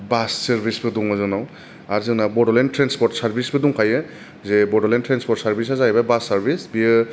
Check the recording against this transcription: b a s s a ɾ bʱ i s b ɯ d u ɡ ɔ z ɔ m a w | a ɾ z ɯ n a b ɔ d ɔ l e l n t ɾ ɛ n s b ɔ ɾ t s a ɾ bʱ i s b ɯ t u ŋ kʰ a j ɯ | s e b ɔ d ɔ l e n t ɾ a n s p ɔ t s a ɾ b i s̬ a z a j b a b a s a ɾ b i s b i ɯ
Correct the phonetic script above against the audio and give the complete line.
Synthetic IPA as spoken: b a s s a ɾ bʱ i s b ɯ d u ŋ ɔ z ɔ n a w | a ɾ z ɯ n a b ɔ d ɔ l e n t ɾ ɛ n s p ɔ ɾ t s a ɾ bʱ i s b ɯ d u ŋ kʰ a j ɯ | z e b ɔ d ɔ l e n t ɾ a n s p ɔ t s a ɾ b i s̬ a z a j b a b a s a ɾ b i s b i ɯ